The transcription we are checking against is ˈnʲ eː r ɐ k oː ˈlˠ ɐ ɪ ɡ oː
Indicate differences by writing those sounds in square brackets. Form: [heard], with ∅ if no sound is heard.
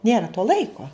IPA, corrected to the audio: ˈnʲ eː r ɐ [t] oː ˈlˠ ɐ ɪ [k] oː